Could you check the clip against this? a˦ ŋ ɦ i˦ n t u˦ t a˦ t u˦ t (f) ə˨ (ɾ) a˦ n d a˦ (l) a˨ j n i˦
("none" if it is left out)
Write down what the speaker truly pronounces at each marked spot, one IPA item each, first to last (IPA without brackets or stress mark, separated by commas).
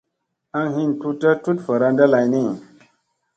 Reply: f, ɾ, l